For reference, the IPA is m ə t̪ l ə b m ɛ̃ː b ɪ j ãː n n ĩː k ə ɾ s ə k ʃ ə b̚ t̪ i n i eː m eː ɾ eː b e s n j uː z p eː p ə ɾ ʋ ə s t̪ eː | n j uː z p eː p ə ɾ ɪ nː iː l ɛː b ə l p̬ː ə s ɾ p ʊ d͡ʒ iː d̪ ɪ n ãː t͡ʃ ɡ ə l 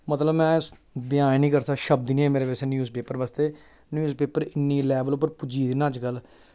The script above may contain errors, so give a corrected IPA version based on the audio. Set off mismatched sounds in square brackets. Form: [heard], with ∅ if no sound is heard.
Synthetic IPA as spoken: m ə t̪ l ə b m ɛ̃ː b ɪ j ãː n n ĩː k ə ɾ s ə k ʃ ə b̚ [d̪] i n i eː m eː ɾ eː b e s n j uː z p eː p ə ɾ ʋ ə s t̪ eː | n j uː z p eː p ə ɾ ɪ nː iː l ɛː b ə l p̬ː ə [∅] ɾ p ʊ d͡ʒ iː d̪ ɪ n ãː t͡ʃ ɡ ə l